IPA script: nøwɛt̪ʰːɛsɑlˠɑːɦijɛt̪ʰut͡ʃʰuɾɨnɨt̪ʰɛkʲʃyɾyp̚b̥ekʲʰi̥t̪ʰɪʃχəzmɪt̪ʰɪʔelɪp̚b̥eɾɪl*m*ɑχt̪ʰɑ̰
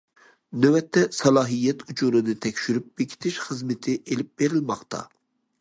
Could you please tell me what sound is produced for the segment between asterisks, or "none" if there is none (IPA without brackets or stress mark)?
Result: m